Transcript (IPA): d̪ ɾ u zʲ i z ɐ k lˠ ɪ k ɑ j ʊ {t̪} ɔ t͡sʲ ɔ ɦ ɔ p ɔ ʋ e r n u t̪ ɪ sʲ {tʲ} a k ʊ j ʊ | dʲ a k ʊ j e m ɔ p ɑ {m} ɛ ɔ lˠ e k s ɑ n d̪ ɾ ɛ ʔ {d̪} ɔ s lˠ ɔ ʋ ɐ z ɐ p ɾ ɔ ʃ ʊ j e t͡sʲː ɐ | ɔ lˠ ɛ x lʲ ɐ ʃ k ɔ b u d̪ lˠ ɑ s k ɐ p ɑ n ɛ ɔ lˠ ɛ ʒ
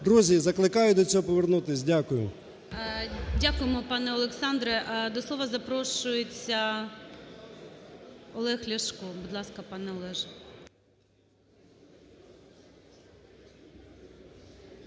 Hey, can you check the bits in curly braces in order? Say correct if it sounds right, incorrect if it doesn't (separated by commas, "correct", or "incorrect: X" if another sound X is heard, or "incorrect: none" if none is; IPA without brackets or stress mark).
incorrect: d̪, incorrect: dʲ, incorrect: n, correct